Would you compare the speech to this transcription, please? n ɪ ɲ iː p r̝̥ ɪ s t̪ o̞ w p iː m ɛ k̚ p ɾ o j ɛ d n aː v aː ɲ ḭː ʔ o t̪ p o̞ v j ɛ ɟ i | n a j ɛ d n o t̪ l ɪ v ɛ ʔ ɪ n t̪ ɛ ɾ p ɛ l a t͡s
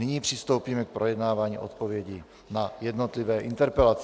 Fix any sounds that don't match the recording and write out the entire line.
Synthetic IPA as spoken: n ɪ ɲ iː p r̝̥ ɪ s t̪ o̞ w p iː m ɛ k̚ p ɾ o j ɛ d n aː v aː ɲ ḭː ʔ o t̪ p o̞ v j ɛ ɟ i | n a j ɛ d n o t̪ l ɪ v ɛː ʔ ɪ n t̪ ɛ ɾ p ɛ l a t͡s